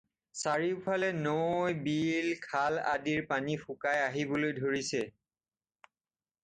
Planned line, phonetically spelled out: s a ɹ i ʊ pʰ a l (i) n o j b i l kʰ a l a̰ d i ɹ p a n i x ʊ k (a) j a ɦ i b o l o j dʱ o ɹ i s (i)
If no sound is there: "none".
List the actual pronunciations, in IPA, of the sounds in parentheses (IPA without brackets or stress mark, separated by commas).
ɛ, a, ɛ